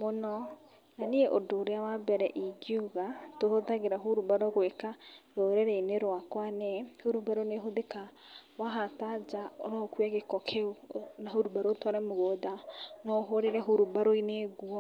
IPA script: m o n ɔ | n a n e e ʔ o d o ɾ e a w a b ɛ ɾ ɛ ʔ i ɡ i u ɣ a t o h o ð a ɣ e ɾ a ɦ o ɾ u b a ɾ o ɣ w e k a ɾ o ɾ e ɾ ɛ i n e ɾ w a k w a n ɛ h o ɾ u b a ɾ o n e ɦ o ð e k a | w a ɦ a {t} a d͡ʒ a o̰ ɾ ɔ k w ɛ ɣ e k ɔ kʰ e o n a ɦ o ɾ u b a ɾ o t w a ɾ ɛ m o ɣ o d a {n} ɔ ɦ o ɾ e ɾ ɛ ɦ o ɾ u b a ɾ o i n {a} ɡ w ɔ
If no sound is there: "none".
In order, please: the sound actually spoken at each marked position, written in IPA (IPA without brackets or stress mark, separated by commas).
t, n, e